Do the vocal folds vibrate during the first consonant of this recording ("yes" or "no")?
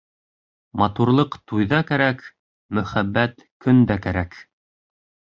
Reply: yes